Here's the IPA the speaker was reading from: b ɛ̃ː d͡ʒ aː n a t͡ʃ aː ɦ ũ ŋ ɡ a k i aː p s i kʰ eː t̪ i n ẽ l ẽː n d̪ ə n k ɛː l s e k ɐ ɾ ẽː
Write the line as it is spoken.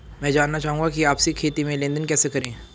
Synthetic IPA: m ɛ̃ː d͡ʒ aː nː a t͡ʃ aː ɦ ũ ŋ ɡ a k i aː p s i kʰ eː t̪ i m ẽ l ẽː n d̪ ə n k ɛː s e k ɐ ɾ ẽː